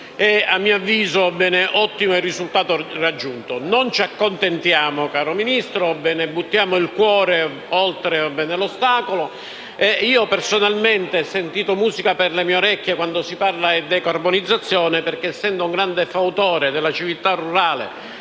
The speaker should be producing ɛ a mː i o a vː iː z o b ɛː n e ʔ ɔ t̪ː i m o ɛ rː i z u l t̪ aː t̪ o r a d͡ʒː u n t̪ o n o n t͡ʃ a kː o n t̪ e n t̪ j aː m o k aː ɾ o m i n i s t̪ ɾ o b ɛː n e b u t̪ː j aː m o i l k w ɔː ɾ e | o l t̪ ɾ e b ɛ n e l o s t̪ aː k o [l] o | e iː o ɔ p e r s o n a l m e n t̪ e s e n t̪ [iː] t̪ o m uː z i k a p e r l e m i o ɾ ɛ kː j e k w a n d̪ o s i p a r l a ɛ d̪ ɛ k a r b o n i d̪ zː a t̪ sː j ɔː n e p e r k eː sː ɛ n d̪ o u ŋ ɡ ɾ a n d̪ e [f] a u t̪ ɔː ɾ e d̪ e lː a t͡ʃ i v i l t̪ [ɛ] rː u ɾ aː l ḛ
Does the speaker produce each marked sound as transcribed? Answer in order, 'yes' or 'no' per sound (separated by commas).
yes, yes, yes, no